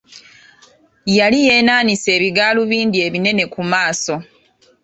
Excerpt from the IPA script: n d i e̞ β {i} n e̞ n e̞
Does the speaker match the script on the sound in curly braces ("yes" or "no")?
yes